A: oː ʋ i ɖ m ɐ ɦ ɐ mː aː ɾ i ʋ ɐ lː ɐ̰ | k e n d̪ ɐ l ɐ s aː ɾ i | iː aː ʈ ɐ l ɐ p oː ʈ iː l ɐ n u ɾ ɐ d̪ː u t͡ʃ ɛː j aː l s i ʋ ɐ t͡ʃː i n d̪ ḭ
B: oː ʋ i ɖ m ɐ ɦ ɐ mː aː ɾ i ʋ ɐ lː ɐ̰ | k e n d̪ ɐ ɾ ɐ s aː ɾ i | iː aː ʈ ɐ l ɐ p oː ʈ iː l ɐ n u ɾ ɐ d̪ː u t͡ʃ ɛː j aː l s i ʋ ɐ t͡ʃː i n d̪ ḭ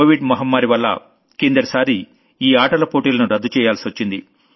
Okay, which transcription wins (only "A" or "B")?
B